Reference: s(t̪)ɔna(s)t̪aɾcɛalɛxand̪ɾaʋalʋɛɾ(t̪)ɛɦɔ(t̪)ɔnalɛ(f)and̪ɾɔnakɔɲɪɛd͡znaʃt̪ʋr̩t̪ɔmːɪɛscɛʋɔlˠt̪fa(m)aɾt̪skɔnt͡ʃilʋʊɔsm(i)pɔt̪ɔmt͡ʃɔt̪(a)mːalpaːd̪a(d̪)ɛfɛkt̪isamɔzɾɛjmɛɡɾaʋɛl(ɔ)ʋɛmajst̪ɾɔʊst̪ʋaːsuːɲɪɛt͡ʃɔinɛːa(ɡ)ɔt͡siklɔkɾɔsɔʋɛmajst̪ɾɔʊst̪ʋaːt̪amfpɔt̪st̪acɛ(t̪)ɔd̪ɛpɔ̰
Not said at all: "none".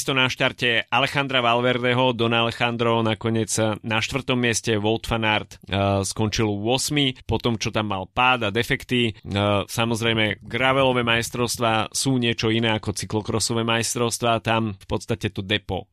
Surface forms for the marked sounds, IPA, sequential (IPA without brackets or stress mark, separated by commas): t̪, ʃ, d̪, d̪, x, n, i, a, d̪, ɔ, k, t̪